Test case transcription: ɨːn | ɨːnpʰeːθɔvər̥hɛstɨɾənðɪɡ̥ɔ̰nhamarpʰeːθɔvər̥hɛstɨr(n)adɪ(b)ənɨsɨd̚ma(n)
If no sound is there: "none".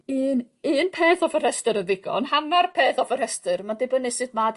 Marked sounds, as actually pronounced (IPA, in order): m, b, d

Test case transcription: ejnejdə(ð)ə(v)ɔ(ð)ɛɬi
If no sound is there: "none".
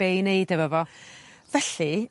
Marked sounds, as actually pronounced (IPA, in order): v, v, v

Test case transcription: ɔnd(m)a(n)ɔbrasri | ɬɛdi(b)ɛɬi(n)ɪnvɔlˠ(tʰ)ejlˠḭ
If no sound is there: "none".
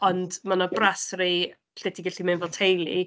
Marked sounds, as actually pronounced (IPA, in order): m, n, ɡ, m, tʰ

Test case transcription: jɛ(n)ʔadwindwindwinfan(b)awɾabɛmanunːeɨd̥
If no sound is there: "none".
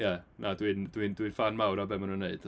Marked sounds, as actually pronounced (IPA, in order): n, m

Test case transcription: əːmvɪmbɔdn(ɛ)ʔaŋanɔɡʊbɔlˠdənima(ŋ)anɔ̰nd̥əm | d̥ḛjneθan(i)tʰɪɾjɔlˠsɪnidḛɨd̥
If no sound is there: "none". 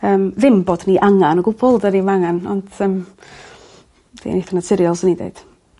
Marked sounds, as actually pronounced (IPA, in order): i, ŋ, a

